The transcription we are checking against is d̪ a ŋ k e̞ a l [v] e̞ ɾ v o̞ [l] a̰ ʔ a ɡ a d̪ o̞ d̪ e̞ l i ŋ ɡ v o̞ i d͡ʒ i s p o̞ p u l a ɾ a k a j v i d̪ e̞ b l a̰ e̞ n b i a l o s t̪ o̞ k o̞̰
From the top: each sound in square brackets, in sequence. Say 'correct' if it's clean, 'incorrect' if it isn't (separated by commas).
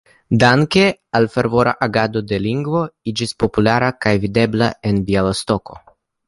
incorrect, incorrect